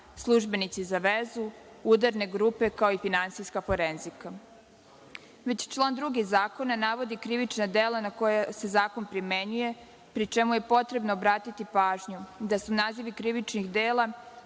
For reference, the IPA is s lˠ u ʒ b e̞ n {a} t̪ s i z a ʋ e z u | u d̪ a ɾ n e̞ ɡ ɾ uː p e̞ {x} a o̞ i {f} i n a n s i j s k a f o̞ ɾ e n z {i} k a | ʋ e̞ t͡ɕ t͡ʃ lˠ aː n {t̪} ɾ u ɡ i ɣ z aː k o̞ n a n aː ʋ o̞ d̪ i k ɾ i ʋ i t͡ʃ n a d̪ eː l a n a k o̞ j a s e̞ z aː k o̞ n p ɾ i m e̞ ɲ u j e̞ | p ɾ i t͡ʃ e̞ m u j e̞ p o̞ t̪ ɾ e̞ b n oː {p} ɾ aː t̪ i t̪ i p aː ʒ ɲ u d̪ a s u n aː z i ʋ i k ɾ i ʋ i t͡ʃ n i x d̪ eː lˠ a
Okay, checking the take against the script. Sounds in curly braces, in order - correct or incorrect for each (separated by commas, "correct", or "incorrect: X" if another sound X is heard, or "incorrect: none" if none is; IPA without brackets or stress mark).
incorrect: i, incorrect: k, correct, correct, incorrect: d̪, incorrect: b